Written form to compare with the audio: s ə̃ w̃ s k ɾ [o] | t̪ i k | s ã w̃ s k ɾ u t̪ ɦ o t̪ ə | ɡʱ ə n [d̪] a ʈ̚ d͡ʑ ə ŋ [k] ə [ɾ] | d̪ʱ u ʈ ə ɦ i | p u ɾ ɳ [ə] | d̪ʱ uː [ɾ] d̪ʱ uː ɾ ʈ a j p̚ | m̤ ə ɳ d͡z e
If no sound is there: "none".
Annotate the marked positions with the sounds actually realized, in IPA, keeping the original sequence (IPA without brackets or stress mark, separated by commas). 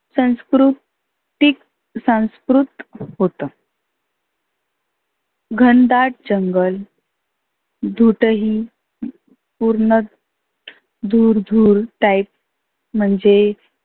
u, d̪, ɡ, l, ə, ɾ